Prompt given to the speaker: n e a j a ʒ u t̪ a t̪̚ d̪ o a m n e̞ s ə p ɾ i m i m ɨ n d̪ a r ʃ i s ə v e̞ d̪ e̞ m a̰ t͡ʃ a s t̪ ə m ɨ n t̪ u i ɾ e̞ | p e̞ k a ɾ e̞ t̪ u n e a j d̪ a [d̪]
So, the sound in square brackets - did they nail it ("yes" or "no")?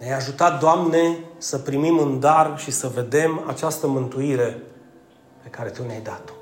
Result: no